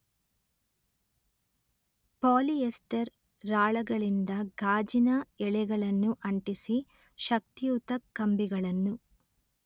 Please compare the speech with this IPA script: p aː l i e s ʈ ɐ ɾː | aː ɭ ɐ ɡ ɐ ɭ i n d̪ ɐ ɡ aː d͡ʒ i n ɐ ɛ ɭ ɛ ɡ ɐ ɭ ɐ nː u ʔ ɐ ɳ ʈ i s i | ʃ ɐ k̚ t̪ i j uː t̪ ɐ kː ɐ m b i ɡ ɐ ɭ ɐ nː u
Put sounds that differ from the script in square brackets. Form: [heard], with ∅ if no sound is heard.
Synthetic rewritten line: p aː l i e s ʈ ɐ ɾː | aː ɭ ɐ ɡ ɐ ɭ i n d̪ ɐ ɡ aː d͡ʒ i n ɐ ɛ ɭ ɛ ɡ ɐ ɭ ɐ nː u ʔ ɐ ɳ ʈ i s i | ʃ ɐ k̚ t̪ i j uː t̪ ɐ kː ɐ m b i ɡ ɐ ɭ ɐ nː u

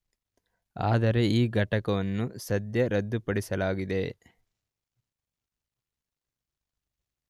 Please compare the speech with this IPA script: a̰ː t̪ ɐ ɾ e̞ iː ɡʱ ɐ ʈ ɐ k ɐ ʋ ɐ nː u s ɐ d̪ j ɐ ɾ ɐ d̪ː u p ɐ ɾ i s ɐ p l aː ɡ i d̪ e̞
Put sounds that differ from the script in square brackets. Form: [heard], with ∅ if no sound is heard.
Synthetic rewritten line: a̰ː [d̪] ɐ ɾ e̞ iː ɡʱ ɐ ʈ ɐ k ɐ ʋ ɐ nː u s ɐ d̪ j ɐ ɾ ɐ d̪ː u p ɐ [ɽ] i s ɐ [∅] l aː ɡ i d̪ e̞

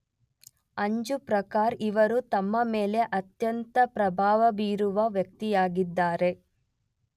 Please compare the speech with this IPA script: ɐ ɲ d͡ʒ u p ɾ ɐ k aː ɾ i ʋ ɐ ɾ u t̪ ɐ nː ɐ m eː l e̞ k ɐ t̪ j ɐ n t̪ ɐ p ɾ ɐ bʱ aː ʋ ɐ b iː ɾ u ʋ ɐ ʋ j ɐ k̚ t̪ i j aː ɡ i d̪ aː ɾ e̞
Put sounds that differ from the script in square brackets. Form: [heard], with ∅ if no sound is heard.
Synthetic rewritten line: ɐ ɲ d͡ʒ u p ɾ ɐ k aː ɾ i ʋ ɐ ɾ u t̪ ɐ [mː] ɐ m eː l e̞ [ʔ] ɐ t̪ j ɐ n t̪ ɐ p ɾ ɐ bʱ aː ʋ ɐ b iː ɾ u ʋ ɐ ʋ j ɐ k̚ t̪ i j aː ɡ i [d̪ː] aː ɾ e̞

